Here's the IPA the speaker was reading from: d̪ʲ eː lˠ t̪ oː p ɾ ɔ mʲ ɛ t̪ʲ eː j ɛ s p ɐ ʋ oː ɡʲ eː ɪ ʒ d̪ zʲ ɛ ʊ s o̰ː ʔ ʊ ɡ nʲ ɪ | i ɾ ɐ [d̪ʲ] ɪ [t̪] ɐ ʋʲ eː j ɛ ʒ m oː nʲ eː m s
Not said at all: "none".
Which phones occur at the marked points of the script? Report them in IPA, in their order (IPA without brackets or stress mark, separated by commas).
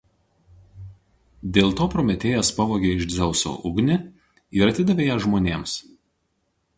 t̪ʲ, d̪